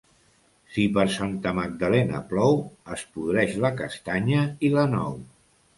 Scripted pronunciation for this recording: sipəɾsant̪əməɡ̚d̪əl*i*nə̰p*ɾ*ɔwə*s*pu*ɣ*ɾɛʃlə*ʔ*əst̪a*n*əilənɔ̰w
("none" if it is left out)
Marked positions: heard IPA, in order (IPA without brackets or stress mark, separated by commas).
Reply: ɛ, l, s, ð, k, ɲ